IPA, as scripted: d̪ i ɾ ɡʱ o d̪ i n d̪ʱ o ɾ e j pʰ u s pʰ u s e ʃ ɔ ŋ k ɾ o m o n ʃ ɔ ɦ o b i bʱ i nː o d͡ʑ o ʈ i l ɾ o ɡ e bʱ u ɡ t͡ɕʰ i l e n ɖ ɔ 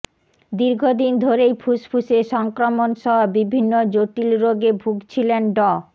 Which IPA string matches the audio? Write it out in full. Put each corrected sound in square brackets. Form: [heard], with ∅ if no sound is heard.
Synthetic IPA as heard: d̪ i ɾ ɡʱ o d̪ i n d̪ʱ o ɾ e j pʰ u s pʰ u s e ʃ ɔ ŋ k ɾ o m o n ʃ ɔ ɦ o b i bʱ i nː o d͡ʑ o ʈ i l ɾ o ɡ e bʱ u ɡ t͡ɕʰ i l e n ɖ ɔ